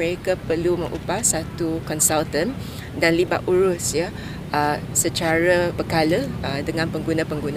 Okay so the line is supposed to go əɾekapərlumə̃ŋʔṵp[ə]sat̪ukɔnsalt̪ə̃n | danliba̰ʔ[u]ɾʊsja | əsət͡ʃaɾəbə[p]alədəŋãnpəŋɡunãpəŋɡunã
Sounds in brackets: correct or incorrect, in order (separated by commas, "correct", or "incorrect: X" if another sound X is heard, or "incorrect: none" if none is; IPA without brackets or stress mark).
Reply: incorrect: a, correct, incorrect: k